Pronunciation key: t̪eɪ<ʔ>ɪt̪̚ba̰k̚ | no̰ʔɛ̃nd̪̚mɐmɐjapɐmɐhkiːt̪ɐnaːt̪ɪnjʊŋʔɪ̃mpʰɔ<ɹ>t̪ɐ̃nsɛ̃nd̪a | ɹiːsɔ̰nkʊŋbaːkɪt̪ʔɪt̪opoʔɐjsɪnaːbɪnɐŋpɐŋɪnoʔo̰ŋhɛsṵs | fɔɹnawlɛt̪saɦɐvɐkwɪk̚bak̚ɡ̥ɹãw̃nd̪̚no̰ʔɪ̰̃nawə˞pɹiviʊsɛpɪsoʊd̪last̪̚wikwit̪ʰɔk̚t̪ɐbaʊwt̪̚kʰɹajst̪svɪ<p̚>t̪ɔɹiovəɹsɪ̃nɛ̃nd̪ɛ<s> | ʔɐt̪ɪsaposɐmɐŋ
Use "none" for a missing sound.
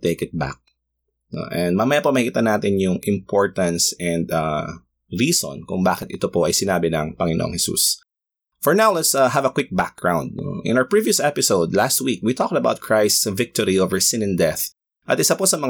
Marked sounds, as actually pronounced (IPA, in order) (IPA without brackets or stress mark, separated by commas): k, ɹ, k̚, θ